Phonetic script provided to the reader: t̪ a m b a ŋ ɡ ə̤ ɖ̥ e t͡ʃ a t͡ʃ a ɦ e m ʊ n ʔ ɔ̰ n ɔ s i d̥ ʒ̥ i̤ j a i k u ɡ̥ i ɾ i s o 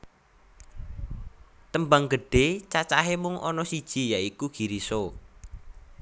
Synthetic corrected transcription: t̪ ə m b a ŋ ɡ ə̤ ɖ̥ e t͡ʃ a t͡ʃ a ɦ e m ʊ ŋ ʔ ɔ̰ n ɔ s i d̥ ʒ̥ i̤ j a i k u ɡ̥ i ɾ i s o